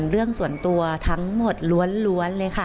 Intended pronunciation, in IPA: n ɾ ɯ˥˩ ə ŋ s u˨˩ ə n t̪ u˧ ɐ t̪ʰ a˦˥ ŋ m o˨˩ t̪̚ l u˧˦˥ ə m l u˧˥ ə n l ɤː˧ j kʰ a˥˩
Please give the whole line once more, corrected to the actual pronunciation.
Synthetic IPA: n ɾ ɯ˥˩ ə ŋ s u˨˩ ə n t̪ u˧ ɐ t̪ʰ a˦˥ ŋ m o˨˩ t̪̚ l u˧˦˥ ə n l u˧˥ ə n l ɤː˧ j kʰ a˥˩